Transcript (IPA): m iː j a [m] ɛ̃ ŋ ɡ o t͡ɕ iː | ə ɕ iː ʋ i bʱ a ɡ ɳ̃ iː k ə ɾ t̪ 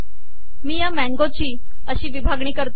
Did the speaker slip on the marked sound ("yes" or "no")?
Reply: no